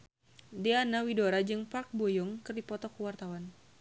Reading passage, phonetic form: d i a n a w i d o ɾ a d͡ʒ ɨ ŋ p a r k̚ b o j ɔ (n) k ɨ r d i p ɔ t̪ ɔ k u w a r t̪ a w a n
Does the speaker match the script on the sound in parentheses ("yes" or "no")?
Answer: no